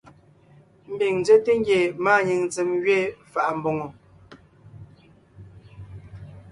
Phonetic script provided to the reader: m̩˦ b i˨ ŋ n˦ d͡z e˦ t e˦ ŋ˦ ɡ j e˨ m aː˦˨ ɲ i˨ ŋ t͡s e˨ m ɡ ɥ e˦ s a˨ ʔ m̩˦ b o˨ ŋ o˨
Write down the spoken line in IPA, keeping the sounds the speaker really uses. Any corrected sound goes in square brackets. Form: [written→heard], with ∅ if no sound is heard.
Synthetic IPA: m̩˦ b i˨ ŋ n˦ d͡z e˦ t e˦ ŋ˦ ɡ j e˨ m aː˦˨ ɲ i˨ ŋ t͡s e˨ m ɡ ɥ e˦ [s→f] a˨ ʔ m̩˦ b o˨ ŋ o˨